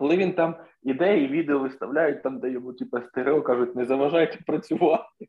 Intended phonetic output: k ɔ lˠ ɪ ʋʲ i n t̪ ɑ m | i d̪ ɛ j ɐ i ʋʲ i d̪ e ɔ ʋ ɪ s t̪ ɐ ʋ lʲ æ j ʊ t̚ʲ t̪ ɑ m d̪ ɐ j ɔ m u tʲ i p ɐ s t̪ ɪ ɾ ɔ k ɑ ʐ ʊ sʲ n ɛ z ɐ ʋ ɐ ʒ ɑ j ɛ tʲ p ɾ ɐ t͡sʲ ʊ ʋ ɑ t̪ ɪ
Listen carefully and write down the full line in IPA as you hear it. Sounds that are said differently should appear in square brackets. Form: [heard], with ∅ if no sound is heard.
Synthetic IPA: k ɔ lˠ ɪ ʋʲ i n t̪ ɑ m | i d̪ ɛ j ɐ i ʋʲ i d̪ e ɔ ʋ ɪ s t̪ ɐ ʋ lʲ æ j ʊ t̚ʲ t̪ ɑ m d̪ ɐ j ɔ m u tʲ i p ɐ s t̪ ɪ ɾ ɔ k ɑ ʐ ʊ [tʲ] n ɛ z ɐ ʋ ɐ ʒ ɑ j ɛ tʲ p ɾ ɐ t͡sʲ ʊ ʋ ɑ t̪ ɪ